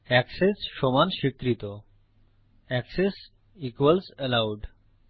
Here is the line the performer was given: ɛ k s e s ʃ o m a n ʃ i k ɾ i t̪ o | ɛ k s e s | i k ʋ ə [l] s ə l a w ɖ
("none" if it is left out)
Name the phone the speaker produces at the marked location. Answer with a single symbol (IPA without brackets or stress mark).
l